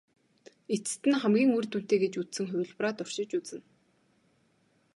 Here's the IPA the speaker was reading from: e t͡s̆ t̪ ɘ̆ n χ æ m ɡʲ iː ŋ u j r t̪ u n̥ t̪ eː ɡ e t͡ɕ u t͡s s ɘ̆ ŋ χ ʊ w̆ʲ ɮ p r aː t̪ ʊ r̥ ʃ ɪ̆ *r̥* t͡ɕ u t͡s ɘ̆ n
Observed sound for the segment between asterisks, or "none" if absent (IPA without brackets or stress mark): none